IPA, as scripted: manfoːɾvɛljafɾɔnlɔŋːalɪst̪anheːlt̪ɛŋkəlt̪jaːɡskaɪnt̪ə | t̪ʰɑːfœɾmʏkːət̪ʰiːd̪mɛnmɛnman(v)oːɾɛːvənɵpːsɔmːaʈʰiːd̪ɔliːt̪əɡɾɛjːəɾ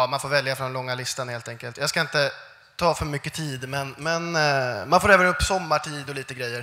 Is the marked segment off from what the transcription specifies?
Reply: yes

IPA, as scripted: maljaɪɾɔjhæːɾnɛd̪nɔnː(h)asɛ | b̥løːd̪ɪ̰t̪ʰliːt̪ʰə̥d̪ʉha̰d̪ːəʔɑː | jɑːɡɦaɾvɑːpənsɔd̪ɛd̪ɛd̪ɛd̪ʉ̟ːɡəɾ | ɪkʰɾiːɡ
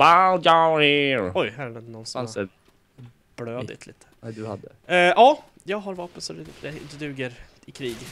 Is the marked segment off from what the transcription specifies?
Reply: yes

